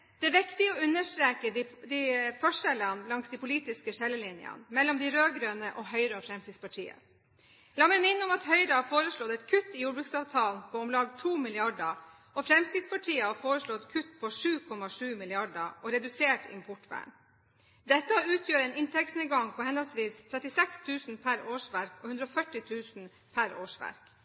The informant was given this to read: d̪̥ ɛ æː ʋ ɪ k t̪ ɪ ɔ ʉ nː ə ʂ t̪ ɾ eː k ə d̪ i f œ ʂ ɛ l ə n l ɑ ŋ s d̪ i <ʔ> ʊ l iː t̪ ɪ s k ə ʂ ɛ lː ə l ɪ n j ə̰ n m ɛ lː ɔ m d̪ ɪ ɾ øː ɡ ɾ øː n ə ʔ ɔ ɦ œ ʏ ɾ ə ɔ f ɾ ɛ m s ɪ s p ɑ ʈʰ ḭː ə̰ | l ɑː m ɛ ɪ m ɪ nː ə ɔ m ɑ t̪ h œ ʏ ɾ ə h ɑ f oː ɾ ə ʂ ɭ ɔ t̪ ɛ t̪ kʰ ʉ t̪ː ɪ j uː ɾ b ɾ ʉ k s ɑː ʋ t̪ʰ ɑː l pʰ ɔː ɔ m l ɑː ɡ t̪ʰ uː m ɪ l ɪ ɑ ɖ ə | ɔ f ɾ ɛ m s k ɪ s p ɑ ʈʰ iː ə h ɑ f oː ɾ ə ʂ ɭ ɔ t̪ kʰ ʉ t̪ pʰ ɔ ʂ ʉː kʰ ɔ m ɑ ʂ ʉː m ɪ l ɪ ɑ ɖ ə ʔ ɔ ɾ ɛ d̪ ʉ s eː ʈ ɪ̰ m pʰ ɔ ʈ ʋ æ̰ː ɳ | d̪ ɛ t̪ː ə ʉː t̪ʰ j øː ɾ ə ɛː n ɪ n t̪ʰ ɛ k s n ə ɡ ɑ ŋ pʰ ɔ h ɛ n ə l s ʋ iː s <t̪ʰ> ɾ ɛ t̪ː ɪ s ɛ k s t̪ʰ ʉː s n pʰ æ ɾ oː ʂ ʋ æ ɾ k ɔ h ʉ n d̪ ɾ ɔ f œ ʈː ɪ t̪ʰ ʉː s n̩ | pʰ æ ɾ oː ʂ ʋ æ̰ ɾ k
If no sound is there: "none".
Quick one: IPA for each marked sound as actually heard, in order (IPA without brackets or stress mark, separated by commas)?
p, t̪ʰ